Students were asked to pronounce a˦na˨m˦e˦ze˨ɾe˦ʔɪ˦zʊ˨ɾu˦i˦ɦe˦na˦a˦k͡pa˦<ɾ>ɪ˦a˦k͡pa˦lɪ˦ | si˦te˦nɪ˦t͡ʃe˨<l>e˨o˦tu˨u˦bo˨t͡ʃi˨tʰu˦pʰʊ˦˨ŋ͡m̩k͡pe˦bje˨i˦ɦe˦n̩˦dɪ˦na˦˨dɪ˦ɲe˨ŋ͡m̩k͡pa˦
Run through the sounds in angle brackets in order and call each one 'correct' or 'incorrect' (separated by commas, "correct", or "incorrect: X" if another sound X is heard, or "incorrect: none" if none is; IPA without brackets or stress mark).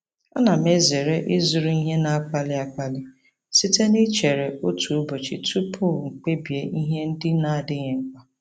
incorrect: l, incorrect: ɾ